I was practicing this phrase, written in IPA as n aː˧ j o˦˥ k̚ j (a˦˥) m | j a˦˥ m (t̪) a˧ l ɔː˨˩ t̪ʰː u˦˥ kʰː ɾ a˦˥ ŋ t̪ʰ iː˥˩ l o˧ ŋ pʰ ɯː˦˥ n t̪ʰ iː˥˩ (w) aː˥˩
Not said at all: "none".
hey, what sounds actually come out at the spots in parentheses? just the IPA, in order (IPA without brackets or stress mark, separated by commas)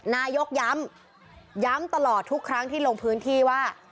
a˦˥, t̪, w